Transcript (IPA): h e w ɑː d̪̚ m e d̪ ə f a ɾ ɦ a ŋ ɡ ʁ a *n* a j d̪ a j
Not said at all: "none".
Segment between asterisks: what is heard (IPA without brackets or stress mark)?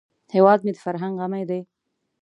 m